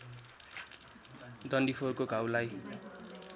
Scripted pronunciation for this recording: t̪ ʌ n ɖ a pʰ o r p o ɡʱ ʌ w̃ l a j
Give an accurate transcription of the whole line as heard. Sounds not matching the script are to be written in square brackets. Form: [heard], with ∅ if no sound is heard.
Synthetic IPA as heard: [d̪] ʌ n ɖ [i] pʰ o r [k] o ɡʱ [a] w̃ l a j